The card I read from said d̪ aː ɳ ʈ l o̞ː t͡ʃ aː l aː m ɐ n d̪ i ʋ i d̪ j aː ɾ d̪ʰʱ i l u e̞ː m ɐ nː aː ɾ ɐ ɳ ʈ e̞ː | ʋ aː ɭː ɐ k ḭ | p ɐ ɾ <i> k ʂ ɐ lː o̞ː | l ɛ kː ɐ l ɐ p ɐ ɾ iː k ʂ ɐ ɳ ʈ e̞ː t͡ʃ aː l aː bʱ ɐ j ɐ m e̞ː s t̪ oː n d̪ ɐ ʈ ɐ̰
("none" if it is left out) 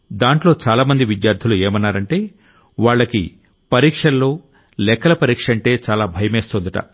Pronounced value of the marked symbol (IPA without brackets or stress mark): iː